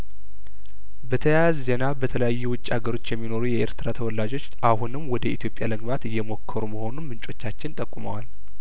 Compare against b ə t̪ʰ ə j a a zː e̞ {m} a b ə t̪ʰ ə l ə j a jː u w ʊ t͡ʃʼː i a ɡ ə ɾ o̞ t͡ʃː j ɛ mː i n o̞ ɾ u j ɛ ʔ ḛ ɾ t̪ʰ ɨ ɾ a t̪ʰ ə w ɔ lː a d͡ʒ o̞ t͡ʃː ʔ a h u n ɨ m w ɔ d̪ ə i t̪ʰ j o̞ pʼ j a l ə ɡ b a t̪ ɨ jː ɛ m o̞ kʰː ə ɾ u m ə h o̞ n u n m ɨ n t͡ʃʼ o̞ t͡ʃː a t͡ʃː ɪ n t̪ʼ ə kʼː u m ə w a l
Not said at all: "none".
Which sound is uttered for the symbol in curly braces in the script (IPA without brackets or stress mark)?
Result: n